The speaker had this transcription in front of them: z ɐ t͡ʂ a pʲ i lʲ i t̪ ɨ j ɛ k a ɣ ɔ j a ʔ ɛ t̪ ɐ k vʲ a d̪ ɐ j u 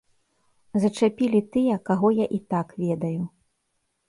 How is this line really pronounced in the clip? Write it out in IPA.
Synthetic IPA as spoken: z ɐ t͡ʂ a pʲ i lʲ i t̪ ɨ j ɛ k a ɣ ɔ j a ʔ i t̪ a k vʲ ɛ d̪ ɐ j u